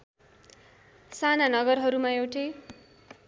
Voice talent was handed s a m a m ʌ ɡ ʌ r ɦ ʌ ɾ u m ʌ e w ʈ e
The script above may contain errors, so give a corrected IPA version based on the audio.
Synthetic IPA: s a n a n ʌ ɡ ʌ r ɦ ʌ ɾ u m a e w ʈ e